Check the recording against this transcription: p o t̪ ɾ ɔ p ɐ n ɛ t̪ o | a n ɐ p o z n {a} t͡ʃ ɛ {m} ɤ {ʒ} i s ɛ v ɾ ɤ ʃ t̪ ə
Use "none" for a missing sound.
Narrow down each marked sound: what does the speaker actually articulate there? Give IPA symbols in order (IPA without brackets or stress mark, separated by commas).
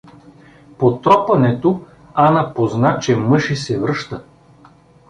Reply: a, m, ʃ